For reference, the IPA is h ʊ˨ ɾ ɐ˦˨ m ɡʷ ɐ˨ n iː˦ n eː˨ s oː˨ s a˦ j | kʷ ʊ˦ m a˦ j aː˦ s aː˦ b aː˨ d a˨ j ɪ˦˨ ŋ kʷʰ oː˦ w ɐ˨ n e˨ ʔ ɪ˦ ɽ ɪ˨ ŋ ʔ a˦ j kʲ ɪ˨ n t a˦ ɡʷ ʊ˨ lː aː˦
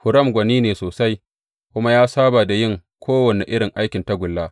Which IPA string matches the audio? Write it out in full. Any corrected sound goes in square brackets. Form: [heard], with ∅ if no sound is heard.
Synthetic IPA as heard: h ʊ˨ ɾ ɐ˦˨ m ɡʷ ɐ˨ n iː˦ n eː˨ s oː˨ s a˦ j | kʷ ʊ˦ m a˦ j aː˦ s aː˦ b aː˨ d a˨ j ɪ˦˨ ŋ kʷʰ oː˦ w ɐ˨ n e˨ ʔ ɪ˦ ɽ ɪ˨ ŋ ʔ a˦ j kʲ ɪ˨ n t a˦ ɡʷ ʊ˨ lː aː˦